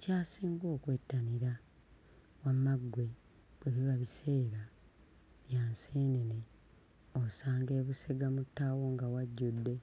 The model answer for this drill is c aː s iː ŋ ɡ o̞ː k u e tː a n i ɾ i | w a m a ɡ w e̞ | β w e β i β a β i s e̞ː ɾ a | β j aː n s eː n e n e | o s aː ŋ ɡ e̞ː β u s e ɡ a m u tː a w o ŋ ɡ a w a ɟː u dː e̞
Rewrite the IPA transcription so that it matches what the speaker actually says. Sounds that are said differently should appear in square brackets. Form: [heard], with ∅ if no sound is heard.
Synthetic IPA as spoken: c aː s iː ŋ ɡ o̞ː k [w] e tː a n i ɾ [a] | w a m a ɡ w e̞ | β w e β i β a β i s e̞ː ɾ a | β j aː n s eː n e n e | o s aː ŋ ɡ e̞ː β u s e ɡ a m u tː a w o ŋ ɡ a w a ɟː u dː e̞